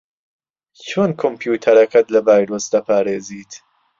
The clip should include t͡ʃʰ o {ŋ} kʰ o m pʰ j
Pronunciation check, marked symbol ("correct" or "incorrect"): incorrect